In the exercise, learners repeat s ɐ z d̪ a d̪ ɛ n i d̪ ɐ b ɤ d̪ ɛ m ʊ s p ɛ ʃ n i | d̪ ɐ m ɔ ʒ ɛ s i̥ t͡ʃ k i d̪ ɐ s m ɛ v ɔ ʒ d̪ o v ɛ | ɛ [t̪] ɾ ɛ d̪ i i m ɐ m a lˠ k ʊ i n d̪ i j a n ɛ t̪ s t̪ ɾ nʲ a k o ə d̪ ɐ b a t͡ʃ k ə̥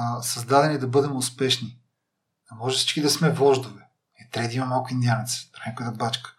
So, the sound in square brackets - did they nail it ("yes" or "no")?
yes